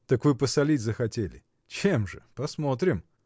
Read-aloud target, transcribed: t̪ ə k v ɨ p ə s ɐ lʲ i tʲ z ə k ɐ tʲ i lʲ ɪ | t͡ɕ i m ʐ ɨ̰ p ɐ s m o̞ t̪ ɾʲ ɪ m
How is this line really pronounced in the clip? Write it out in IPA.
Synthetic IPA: t̪ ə k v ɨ p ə s ɐ lʲ i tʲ z ə x ɐ tʲ e lʲ ɪ | t͡ɕ e m ʐ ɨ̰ p ɐ s m o̞ t̪ ɾʲ ɪ m